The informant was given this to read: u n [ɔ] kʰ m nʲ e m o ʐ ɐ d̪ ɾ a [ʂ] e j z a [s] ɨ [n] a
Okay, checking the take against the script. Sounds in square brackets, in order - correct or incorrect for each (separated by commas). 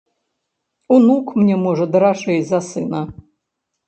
incorrect, correct, correct, correct